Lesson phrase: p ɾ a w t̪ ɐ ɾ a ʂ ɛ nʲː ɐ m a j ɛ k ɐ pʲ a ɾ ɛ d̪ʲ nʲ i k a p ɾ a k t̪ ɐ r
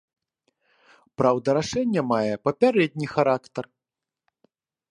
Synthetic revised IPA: p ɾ a w d̪ ɐ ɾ a ʂ ɛ nʲː ɐ m a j ɛ p ɐ pʲ a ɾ ɛ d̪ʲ nʲ i x a ɾ a k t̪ ɐ r